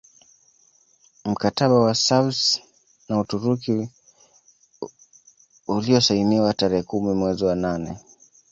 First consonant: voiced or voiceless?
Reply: voiced